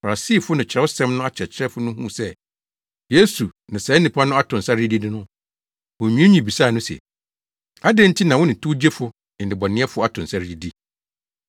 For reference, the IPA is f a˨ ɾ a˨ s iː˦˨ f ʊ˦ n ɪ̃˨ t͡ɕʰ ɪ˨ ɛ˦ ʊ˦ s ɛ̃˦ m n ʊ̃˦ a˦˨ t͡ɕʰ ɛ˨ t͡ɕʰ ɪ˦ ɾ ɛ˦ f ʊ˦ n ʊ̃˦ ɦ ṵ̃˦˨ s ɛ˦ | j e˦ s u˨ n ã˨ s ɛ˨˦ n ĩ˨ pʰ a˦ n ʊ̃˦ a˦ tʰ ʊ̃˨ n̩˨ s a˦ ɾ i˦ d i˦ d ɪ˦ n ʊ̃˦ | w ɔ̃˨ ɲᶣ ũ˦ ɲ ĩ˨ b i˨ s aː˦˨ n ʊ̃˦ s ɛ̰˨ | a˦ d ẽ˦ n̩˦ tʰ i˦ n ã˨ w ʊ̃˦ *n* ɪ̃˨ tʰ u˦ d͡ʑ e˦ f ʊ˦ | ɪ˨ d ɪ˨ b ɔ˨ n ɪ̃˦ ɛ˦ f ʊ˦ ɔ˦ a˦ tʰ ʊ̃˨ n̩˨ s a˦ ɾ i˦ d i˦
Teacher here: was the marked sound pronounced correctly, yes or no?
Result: yes